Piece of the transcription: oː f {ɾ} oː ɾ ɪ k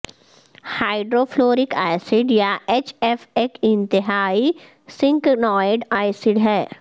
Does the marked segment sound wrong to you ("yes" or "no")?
yes